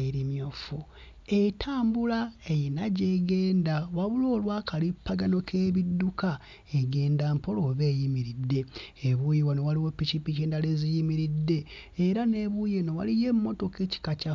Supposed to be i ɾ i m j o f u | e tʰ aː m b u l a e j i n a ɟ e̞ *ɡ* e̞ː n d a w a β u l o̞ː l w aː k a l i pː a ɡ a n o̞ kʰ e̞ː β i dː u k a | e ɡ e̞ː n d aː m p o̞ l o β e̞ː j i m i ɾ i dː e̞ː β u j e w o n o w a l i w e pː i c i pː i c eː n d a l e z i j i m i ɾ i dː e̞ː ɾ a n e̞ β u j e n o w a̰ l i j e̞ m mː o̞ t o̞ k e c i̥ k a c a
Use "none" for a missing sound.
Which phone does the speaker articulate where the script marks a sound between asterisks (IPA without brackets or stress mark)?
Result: ɡ